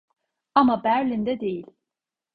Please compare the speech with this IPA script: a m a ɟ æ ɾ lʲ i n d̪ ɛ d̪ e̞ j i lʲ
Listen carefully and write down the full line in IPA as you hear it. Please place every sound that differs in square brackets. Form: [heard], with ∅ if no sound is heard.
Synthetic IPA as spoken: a m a [b] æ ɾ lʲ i n d̪ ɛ d̪ e̞ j i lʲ